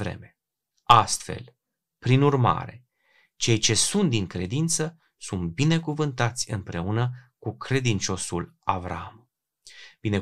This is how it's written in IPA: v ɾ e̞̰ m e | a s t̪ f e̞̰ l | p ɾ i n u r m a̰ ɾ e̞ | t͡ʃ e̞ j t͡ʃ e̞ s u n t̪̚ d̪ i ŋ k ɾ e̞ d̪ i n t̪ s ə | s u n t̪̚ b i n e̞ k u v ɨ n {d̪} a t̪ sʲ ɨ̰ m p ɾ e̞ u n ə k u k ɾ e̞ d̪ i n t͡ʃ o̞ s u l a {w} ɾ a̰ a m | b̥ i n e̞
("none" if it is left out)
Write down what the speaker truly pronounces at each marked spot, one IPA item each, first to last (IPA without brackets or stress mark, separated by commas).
t̪, v